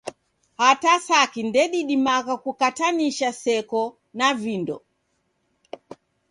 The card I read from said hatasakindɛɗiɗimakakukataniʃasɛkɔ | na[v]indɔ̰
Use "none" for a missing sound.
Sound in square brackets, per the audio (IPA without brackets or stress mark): v